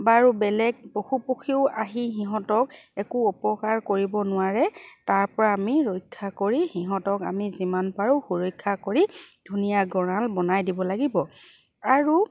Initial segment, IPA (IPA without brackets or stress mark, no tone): b